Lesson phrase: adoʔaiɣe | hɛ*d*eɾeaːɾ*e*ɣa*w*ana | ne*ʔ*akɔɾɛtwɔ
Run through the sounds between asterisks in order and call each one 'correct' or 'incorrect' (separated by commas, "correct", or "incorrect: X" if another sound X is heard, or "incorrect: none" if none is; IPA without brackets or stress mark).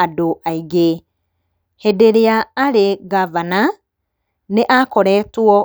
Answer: correct, correct, incorrect: v, correct